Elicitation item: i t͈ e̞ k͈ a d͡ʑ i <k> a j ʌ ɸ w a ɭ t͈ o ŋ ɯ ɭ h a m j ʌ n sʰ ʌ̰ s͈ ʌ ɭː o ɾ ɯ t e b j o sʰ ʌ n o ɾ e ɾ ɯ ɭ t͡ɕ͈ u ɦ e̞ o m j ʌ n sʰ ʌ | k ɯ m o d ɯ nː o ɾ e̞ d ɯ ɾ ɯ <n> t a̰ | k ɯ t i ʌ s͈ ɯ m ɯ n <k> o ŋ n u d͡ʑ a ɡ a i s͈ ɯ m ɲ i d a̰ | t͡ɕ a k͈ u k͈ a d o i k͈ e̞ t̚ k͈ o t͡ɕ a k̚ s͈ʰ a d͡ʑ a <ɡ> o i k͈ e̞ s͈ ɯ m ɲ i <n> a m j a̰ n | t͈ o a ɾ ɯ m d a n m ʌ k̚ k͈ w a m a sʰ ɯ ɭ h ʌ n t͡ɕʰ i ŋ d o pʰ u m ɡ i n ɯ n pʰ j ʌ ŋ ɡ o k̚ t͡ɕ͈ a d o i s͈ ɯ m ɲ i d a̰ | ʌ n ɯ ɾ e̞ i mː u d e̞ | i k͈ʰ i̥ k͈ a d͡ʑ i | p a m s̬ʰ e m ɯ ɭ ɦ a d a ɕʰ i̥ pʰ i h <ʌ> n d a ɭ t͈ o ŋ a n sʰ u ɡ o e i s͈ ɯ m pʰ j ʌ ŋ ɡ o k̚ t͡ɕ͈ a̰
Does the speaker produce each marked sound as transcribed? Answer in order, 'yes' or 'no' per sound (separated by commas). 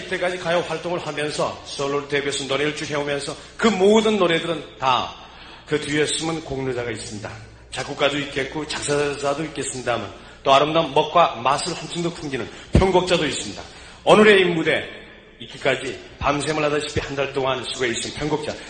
yes, yes, yes, no, no, no